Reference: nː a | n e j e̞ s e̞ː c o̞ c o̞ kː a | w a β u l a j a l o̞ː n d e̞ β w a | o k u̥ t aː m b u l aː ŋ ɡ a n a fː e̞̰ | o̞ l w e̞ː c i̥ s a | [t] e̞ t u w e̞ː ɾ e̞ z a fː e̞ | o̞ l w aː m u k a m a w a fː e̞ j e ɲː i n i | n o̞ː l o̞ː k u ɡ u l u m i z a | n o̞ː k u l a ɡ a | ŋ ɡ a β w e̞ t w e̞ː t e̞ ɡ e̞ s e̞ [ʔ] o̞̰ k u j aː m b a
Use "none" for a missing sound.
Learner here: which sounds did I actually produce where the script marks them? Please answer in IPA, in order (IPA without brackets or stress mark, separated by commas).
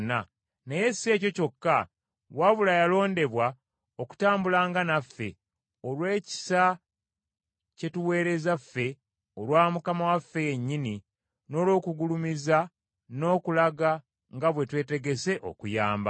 c, ʔ